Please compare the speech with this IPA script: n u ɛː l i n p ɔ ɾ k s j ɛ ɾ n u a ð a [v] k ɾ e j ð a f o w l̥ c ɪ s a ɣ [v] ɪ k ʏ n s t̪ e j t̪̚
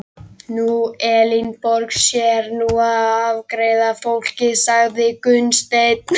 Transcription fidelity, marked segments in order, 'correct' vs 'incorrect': correct, incorrect: ð

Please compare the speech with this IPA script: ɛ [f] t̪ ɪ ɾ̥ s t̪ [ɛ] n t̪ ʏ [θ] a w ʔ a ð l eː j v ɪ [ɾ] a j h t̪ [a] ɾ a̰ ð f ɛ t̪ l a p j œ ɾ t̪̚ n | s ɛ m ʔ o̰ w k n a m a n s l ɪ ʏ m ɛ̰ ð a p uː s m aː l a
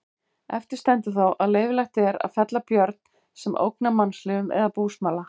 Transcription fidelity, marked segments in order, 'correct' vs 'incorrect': correct, correct, correct, incorrect: l, incorrect: ɛ

